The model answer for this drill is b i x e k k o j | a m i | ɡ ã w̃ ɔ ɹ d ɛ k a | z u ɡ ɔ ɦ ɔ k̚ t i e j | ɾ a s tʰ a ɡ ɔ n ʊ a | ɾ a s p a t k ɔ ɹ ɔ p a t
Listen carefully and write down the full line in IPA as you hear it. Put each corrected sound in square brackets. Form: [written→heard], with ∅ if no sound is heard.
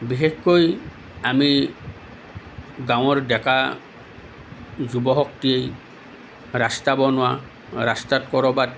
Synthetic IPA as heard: b i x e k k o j | a m i | ɡ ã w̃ ɔ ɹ d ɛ k a | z u [ɡ→b] ɔ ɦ ɔ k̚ t i e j | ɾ a s [tʰ→t] a [ɡ→b] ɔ n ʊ a | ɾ a s [p→t] a t k ɔ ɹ ɔ [p→b] a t